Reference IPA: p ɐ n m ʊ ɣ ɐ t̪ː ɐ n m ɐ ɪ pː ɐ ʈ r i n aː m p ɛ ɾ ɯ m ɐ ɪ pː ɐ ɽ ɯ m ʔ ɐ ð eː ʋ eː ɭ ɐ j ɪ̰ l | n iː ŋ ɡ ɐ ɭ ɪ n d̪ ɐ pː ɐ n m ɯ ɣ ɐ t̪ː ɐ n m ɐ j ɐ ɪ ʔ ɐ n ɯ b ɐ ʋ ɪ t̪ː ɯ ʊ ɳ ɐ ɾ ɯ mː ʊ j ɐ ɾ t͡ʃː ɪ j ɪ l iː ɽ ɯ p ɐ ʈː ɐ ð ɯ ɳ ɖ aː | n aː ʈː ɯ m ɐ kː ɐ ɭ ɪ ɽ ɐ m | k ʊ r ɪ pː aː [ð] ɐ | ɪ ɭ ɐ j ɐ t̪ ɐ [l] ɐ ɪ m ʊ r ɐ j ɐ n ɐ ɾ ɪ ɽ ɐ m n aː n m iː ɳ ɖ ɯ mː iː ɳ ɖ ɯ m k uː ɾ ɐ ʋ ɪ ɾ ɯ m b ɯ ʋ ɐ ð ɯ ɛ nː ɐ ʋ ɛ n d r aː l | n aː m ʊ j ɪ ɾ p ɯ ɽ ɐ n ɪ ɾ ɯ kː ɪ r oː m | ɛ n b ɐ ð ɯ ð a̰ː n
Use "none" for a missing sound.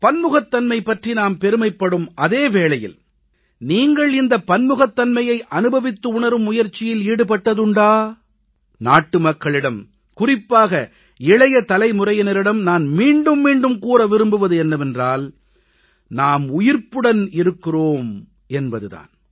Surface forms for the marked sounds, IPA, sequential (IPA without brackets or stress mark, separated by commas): ɣ, l